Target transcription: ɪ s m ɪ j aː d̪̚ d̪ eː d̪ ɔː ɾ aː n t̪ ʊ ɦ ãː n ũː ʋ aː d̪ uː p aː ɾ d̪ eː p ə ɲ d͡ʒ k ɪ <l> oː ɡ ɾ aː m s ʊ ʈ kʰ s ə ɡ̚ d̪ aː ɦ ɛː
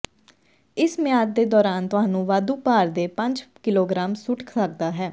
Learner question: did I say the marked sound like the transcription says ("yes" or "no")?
yes